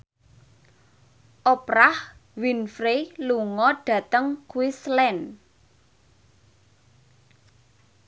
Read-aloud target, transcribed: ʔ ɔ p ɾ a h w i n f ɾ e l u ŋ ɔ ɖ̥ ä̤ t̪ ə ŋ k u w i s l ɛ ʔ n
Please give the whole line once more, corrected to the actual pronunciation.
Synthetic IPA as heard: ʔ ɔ p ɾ a h w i n f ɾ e l u ŋ ɔ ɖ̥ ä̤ t̪ ə ŋ k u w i s l ɛ n